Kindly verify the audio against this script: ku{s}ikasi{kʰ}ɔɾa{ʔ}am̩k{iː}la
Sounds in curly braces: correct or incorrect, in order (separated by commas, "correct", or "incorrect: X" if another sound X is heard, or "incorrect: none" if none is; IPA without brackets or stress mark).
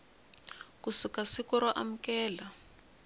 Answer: correct, incorrect: k, correct, incorrect: ɛː